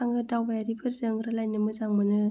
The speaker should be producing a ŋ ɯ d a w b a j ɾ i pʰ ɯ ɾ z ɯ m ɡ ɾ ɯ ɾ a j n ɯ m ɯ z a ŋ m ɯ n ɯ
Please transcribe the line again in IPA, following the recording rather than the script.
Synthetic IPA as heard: a ŋ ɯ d a w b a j ɾ i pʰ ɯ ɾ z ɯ ŋ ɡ ɾ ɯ l a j n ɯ m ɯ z a ŋ m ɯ n ɯ